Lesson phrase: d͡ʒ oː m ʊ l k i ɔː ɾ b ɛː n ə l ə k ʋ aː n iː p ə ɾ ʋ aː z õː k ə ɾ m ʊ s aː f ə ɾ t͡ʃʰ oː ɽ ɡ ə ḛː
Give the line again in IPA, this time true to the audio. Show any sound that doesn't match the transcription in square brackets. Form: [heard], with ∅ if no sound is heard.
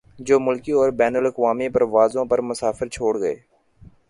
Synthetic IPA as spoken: d͡ʒ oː m ʊ l k i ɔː ɾ b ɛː n ə l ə k ʋ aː [m] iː p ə ɾ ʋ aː z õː [p] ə ɾ m ʊ s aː f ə ɾ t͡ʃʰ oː ɽ ɡ ə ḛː